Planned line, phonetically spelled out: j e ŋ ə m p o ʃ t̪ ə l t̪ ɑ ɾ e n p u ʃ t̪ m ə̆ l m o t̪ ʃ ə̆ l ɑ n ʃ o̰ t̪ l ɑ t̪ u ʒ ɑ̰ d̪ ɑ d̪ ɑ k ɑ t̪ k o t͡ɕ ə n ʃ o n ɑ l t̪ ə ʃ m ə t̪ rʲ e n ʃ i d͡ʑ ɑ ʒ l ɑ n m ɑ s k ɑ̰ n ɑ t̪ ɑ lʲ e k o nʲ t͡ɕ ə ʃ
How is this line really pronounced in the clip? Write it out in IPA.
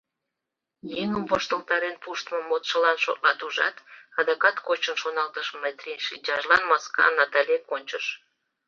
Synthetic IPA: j e ŋ ə m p o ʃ t̪ ə l t̪ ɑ ɾ e n p u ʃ t̪ m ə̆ m o t̪ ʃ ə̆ l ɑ n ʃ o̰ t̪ l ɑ t̪ u ʒ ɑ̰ t̪ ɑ d̪ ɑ k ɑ t̪ k o t͡ɕ ə n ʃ o n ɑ l t̪ ə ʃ m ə t̪ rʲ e n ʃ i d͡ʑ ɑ ʒ l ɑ n m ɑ s k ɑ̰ n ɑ t̪ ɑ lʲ e k o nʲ t͡ɕ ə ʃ